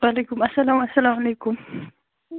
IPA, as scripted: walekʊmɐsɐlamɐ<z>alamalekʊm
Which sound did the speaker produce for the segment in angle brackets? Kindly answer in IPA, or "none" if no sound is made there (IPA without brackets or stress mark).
s